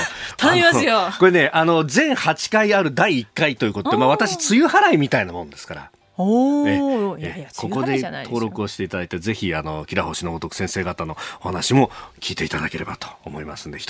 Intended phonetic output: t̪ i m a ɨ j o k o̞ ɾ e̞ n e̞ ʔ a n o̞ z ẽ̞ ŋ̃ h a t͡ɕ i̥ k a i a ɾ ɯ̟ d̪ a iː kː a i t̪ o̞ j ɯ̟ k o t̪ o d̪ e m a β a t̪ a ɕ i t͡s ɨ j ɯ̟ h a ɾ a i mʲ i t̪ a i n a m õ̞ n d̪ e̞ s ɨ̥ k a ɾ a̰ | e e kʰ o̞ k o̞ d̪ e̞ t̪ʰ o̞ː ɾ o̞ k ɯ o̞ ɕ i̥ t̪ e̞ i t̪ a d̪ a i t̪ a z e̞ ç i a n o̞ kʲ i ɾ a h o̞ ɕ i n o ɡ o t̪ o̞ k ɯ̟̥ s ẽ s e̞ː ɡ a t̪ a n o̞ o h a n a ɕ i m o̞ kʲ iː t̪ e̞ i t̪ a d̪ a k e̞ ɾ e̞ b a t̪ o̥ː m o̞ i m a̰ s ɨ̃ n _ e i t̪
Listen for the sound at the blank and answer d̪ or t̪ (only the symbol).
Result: d̪